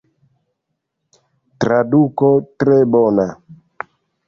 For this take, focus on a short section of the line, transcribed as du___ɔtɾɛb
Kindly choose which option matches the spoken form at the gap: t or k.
k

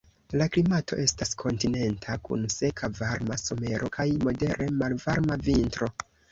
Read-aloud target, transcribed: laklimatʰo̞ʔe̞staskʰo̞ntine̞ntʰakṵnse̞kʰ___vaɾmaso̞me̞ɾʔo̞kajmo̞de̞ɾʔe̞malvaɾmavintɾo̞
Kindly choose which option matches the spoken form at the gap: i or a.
a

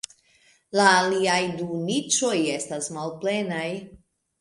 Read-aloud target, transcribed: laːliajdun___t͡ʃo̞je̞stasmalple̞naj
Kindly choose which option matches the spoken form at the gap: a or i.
i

